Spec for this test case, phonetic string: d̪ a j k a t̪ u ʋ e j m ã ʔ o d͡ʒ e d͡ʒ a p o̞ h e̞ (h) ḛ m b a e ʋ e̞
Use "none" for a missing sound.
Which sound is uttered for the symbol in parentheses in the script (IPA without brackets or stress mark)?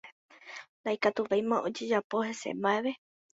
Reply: s